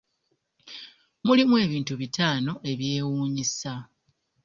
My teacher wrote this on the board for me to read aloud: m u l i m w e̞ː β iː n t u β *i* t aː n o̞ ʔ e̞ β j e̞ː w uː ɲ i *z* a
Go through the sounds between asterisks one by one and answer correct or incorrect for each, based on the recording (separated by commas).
correct, incorrect